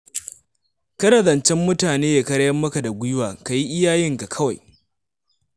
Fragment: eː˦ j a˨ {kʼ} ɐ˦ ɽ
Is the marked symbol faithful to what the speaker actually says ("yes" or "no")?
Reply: no